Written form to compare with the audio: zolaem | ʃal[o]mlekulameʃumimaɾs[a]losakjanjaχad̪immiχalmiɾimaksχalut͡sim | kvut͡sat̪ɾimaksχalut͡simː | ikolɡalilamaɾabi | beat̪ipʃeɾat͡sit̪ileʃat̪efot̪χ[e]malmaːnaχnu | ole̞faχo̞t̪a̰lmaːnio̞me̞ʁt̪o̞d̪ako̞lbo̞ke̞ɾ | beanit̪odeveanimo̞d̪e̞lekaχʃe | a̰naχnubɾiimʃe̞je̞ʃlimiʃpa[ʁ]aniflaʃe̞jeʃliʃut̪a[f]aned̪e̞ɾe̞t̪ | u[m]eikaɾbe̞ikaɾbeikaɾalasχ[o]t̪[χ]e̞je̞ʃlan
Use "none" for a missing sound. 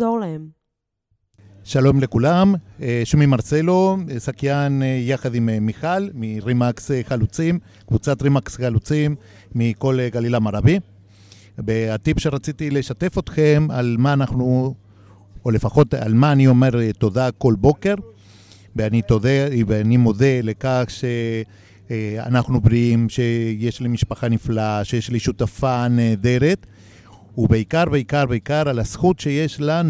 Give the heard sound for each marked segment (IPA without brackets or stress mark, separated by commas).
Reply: o, e, e, χ, f, b, u, ʃ